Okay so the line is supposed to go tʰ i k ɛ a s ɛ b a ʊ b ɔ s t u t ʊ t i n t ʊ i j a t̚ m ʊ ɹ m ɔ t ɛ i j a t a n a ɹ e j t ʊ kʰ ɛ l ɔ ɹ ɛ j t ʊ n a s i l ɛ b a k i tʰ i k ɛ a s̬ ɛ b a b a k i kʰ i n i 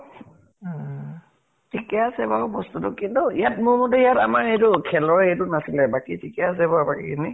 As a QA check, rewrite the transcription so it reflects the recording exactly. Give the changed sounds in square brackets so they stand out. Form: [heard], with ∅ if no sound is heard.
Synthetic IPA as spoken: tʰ i k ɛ a s ɛ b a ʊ b ɔ s t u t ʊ [k] i n t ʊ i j a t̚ m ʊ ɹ m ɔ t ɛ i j a t a [m] a ɹ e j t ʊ kʰ ɛ l ɔ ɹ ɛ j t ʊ n a s i l ɛ b a k i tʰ i k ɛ a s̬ ɛ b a b a k i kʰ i n i